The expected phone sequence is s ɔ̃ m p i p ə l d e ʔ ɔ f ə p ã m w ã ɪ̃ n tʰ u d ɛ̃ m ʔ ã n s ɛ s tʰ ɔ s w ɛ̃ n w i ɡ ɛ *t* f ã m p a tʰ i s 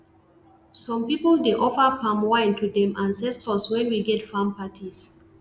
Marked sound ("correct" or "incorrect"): correct